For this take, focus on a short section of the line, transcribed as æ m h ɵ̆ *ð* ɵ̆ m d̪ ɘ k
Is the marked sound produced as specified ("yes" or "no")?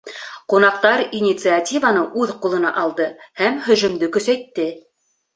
no